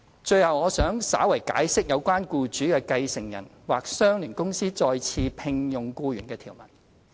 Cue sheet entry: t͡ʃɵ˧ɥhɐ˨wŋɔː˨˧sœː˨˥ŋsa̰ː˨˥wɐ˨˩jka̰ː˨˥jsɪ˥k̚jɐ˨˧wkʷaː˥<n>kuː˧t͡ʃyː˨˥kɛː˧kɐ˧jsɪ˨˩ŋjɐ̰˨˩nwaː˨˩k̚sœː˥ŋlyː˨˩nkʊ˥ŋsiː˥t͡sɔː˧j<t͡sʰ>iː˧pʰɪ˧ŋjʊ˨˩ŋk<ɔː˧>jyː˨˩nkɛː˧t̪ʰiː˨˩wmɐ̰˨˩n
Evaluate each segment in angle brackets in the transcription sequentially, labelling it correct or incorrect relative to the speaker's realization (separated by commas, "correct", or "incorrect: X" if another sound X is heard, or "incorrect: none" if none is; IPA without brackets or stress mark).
correct, correct, incorrect: uː˧